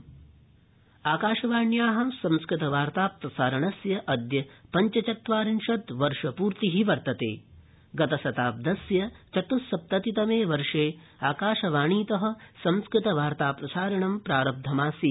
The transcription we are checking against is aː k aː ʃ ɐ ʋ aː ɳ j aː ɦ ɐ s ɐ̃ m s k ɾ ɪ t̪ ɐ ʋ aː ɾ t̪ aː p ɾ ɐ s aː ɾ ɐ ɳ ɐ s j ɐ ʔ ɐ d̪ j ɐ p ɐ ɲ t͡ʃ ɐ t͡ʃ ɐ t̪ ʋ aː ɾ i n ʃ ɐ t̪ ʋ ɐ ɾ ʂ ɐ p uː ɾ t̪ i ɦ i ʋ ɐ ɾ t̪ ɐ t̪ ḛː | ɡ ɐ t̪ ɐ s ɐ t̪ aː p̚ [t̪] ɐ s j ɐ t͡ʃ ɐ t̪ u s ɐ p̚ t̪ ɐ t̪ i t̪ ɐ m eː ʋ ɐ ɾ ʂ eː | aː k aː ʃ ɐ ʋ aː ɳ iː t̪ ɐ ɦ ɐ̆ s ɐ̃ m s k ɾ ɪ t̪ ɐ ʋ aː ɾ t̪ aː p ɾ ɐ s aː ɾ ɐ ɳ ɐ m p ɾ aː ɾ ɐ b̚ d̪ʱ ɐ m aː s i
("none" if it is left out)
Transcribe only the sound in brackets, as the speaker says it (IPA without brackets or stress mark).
d̪